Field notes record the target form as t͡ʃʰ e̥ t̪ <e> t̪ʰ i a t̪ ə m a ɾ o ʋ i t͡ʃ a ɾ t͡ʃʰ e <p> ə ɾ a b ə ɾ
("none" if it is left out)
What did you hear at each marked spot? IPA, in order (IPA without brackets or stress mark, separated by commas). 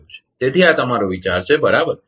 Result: e, b